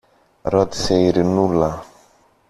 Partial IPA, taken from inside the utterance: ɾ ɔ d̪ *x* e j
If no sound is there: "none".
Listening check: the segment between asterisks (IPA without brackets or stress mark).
s